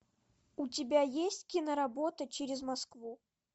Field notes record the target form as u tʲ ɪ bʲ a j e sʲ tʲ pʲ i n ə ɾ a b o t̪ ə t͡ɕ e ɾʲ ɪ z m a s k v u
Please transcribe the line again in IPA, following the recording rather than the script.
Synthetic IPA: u tʲ ɪ bʲ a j e sʲ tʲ kʲ i n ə ɾ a b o t̪ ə t͡ɕ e ɾʲ ɪ z m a s k v u